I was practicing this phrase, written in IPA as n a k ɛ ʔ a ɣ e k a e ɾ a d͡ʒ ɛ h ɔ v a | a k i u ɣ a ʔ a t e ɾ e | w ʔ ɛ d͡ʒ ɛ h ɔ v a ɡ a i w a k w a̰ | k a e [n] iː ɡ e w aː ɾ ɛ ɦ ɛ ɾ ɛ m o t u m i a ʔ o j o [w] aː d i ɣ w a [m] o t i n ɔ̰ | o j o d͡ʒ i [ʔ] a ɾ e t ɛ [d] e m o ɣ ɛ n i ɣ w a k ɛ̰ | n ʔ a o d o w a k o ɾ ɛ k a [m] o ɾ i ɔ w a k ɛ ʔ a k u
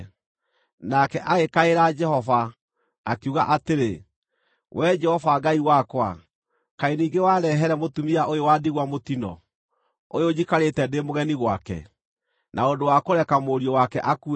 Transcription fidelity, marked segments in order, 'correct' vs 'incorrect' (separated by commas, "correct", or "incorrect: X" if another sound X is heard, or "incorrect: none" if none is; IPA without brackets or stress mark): correct, correct, correct, incorrect: k, correct, correct